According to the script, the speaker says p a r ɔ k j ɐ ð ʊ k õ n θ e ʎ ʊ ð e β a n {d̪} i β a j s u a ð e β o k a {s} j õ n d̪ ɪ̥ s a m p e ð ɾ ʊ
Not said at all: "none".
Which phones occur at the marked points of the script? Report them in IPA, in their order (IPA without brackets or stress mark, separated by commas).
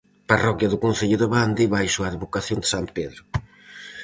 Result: d̪, θ